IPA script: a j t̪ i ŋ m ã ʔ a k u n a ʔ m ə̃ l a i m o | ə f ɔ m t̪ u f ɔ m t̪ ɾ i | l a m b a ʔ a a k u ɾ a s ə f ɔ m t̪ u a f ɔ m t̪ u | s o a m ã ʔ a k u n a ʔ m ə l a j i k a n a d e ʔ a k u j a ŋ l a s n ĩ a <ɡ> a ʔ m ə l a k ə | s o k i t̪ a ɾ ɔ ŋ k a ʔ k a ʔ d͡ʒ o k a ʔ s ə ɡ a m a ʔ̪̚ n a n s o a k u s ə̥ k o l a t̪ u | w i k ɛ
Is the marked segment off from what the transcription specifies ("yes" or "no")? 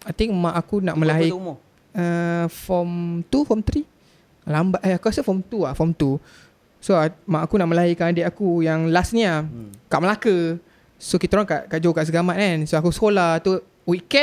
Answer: yes